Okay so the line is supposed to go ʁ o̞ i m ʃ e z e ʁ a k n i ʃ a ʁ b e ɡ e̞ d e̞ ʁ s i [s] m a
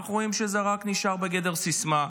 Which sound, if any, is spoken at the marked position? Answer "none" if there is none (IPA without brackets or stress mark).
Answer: s